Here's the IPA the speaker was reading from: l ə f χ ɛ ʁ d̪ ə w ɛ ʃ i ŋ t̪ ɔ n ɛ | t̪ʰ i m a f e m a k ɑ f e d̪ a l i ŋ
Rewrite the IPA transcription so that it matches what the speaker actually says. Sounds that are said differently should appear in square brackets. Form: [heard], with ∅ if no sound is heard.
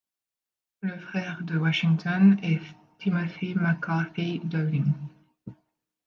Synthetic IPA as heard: l ə f χ ɛ ʁ d̪ ə w [a] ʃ i ŋ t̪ ɔ n ɛ | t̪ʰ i m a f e m a k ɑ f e d̪ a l i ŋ

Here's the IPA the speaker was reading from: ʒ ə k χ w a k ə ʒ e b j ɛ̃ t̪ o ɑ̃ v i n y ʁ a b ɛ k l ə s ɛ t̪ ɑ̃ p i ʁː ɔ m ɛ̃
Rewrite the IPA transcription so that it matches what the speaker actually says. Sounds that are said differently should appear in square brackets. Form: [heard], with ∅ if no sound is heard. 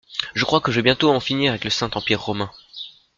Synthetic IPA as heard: ʒ ə k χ w a k ə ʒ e b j ɛ̃ t̪ o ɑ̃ [f] i n [i] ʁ a [v] ɛ k l ə s [ɛ̃] t̪ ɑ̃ p i ʁː ɔ m ɛ̃

